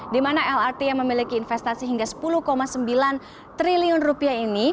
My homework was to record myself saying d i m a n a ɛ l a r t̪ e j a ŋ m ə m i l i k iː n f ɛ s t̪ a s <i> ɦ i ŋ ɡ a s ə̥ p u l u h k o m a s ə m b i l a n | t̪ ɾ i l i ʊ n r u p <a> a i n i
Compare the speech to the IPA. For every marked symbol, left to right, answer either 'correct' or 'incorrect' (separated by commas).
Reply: correct, incorrect